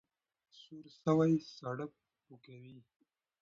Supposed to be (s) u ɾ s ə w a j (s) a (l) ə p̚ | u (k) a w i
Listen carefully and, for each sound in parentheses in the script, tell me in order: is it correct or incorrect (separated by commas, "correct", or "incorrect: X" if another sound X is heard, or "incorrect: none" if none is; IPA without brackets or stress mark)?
correct, correct, incorrect: ɽ, correct